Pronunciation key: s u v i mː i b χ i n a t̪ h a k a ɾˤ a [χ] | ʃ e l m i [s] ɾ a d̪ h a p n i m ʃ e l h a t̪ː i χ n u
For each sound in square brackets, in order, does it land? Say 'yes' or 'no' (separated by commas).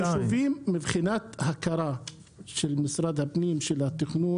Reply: no, yes